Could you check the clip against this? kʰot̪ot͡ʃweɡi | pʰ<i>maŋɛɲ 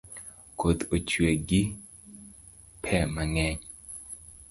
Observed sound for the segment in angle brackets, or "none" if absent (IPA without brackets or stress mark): ɛ